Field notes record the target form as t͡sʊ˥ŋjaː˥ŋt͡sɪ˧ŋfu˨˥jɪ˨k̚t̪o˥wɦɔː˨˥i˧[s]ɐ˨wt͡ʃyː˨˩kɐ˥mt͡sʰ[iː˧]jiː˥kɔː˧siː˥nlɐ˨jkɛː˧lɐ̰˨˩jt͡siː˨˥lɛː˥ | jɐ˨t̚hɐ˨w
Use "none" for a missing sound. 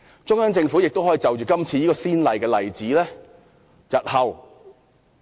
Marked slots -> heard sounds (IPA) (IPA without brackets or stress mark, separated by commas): t͡s, iː˧